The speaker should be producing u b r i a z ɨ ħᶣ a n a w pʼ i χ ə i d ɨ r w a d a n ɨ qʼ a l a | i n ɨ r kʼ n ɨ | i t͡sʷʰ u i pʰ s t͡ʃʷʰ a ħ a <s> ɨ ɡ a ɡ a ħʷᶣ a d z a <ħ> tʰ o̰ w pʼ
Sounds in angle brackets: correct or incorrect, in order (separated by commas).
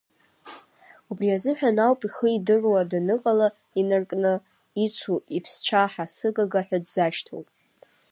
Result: correct, incorrect